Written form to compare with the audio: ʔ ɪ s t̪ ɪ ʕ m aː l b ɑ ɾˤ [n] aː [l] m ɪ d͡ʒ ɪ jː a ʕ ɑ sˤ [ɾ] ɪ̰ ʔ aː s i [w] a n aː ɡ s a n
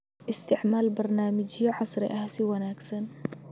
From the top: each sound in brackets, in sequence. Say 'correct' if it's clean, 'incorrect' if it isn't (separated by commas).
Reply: correct, incorrect, correct, correct